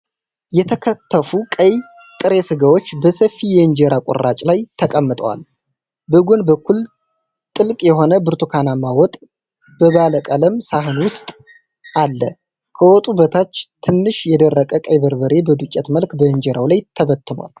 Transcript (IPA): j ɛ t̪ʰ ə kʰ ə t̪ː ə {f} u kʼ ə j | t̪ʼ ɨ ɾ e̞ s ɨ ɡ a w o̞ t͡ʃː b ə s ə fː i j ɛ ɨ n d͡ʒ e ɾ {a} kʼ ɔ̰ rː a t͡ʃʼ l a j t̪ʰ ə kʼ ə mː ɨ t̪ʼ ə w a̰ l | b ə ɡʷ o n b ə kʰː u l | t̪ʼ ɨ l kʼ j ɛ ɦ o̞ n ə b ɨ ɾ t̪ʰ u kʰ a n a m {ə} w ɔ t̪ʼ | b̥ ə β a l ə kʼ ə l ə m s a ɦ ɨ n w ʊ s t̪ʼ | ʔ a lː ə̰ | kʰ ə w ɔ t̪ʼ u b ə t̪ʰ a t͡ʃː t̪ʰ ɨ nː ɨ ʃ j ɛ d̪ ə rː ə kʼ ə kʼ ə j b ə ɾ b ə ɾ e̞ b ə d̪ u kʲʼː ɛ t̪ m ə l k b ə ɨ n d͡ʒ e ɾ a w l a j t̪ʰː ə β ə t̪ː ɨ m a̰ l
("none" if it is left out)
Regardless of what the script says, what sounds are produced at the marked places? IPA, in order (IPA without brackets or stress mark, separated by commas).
f, a, a